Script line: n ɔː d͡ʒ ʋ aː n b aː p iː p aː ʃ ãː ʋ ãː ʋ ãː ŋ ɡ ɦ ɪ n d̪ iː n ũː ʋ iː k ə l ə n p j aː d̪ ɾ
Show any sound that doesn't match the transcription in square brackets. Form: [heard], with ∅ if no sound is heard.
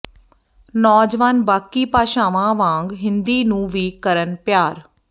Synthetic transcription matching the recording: n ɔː d͡ʒ ʋ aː n b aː [k] iː p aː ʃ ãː ʋ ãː ʋ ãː ŋ ɡ ɦ ɪ n d̪ iː n ũː ʋ iː k ə [ɾ] ə n p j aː [∅] ɾ